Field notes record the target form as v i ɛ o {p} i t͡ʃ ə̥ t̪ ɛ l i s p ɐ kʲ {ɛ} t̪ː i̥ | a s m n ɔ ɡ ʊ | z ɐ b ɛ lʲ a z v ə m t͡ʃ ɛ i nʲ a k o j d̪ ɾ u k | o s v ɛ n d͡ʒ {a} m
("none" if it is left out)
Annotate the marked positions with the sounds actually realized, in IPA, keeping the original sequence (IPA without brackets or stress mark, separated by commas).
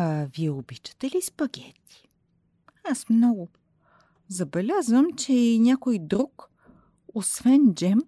b, ɛ, ɛ